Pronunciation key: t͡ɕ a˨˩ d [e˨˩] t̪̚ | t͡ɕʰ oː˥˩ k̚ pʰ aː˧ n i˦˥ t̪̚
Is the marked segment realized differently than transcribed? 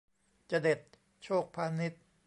no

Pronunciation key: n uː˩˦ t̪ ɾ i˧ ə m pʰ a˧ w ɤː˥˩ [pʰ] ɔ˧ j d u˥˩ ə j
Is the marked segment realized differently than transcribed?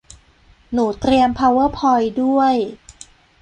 no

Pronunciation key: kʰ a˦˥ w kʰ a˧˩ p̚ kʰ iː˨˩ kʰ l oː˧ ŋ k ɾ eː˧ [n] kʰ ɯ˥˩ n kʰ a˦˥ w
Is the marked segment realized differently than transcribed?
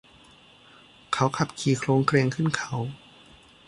yes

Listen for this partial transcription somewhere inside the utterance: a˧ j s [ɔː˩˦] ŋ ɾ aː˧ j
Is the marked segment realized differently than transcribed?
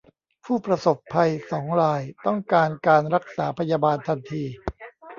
no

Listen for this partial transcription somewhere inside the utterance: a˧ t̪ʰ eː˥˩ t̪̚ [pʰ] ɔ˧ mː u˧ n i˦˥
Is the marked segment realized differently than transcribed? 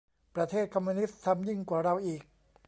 yes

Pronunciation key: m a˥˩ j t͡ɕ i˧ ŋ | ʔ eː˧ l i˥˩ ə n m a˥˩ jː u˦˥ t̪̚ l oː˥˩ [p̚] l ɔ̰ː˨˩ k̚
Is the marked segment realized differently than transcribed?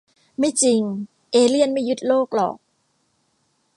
yes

